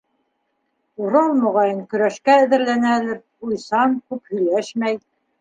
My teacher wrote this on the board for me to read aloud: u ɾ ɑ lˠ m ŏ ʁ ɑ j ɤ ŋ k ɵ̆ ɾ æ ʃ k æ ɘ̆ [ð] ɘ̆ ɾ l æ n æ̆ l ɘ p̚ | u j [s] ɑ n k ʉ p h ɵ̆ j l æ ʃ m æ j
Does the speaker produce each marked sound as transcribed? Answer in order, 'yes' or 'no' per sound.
yes, yes

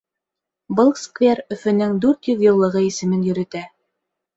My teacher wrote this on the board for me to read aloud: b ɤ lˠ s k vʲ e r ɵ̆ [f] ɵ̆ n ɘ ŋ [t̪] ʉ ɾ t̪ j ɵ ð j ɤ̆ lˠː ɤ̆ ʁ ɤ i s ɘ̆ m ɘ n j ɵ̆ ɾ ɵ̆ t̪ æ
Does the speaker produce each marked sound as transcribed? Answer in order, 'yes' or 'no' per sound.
yes, no

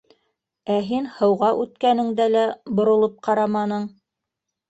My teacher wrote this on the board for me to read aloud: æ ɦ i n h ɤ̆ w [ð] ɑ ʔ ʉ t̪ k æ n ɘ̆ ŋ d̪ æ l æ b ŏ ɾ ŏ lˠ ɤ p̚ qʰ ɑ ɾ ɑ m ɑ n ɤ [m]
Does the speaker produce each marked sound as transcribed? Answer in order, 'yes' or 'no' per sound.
no, no

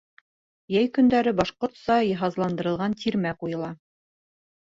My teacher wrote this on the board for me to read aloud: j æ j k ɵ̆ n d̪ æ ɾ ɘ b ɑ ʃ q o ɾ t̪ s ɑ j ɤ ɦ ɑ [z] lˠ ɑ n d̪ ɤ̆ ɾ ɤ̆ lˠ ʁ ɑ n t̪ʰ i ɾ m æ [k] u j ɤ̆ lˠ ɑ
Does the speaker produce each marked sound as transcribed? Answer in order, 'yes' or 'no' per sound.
yes, no

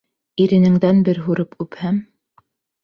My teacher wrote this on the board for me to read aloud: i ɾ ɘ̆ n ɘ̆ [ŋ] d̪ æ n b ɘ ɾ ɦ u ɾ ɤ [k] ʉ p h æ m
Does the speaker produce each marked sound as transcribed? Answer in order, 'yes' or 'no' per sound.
yes, no

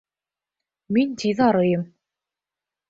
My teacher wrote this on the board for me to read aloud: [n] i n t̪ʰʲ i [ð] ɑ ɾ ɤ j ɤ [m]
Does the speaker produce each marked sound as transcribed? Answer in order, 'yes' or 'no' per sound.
no, yes, yes

